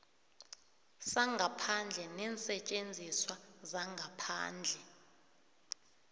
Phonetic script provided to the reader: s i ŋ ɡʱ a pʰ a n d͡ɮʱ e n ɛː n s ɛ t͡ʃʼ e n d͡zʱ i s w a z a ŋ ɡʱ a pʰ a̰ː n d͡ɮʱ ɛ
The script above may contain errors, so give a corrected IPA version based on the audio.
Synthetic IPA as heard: s a ŋ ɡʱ a pʰ a n d͡ɮʱ ɛ n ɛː n s ɛ t͡ʃʼ e n d͡zʱ i s w a z a ŋ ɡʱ a pʰ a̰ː n d͡ɮʱ ɛ

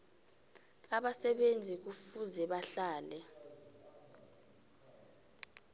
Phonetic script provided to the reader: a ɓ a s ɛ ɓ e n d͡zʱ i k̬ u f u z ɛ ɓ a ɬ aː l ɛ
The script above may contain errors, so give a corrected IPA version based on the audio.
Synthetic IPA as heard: a ɓ a s ɛ ɓ e n d͡zʱ i k̬ u f u z ɛ ɓ a ɬ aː l ɛ

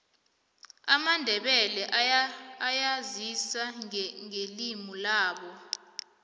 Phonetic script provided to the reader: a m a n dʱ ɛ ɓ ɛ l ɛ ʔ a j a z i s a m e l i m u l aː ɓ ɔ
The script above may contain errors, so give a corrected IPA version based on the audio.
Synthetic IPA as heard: a m a n dʱ ɛ ɓ ɛ l ɛ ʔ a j a z i s a ŋ e l i m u l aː ɓ ɔ

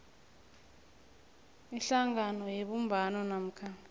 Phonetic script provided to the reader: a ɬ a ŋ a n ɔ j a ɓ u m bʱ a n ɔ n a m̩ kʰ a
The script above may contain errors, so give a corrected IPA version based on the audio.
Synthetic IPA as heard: i ɬ a ŋ a n ɔ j e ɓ u m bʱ a n ɔ n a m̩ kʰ a

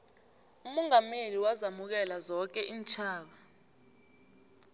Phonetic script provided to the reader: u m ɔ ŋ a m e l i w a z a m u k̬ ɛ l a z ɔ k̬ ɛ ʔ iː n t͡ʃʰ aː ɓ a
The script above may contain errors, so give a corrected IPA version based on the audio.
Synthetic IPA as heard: u m ɔ ŋ a m e l i w a z a m u k̬ ɛ l a z ɔ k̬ ɛ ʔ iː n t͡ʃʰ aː ɓ a

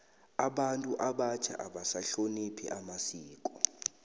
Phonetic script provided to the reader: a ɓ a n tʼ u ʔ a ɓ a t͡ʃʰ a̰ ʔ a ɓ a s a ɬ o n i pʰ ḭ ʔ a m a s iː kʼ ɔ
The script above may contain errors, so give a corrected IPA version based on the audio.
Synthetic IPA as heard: a ɓ a n tʼ u ʔ a ɓ a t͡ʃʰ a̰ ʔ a ɓ a s a ɬ o n i pʰ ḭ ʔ a m a s iː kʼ ɔ

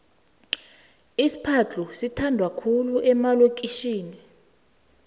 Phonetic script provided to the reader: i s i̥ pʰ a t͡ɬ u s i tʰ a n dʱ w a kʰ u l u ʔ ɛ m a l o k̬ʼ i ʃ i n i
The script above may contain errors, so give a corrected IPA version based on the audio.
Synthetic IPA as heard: i s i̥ pʰ a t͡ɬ u s i tʰ a n dʱ w a kʰ u l u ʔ ɛ m a l o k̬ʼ i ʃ iː n i

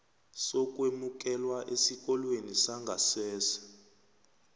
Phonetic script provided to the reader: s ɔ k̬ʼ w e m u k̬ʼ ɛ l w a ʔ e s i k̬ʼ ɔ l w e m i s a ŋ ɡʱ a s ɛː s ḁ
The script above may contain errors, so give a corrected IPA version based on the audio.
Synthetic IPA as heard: s ɔ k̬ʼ w e m u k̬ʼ ɛ l w a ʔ e s i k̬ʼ ɔ l w e n i s a ŋ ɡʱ a s ɛː s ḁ

